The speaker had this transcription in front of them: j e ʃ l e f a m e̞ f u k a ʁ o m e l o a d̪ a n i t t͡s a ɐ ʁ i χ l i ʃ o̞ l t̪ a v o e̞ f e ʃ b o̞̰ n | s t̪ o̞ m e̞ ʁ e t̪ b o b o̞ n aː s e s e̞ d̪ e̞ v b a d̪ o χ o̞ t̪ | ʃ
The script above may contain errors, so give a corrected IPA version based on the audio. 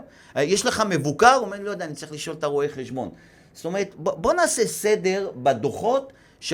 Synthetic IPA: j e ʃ l e χ a m e̞ v u k a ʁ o m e l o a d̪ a n i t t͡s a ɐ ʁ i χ l i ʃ o̞ l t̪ a ʁ o e̞ χ e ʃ b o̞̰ n | s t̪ o̞ m e̞ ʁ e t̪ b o b o̞ n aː s e s e̞ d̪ e̞ ʁ b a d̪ o χ o̞ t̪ | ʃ